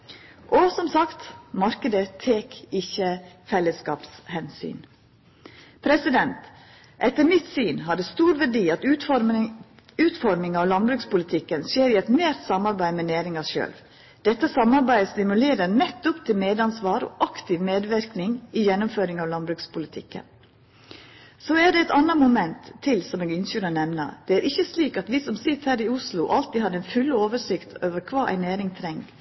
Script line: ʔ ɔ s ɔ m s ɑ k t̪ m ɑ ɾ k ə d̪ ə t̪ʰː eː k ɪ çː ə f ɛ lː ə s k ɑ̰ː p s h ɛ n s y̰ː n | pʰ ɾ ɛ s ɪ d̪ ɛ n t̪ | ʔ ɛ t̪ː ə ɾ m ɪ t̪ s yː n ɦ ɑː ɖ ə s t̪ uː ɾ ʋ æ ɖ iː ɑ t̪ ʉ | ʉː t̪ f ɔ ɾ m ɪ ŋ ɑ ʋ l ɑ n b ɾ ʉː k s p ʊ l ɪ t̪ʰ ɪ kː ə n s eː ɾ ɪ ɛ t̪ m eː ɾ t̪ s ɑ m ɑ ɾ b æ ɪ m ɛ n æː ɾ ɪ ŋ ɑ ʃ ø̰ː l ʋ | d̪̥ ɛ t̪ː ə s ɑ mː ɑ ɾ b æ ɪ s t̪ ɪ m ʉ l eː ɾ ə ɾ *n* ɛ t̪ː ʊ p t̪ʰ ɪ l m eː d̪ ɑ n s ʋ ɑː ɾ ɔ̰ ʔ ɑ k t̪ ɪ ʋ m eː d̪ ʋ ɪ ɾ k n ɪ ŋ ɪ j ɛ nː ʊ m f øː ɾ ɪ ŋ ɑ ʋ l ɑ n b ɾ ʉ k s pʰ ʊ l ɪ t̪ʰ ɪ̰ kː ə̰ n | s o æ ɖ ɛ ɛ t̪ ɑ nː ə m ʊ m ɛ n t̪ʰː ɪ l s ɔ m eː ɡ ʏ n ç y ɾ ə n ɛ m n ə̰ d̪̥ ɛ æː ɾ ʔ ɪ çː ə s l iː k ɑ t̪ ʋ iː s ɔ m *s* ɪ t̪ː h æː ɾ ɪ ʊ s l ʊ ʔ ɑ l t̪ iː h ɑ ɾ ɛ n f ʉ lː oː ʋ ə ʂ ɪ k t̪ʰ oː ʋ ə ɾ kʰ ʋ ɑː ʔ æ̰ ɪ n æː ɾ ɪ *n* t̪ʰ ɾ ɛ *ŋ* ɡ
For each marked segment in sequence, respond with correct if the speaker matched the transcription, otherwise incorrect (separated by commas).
correct, correct, incorrect, correct